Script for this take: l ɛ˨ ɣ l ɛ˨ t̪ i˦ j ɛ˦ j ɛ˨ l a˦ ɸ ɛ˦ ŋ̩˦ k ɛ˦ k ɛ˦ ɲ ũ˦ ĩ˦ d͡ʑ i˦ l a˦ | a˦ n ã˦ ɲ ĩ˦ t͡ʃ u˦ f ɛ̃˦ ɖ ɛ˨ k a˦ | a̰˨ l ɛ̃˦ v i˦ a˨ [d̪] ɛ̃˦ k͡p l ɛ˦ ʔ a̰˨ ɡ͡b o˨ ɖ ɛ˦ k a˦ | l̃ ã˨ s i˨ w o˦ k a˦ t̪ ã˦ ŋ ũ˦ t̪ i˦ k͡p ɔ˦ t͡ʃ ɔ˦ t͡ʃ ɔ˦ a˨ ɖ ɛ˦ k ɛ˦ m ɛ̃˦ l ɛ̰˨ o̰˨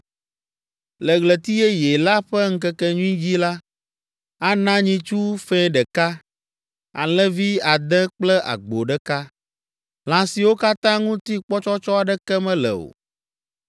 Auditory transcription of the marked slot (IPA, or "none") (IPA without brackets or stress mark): d̪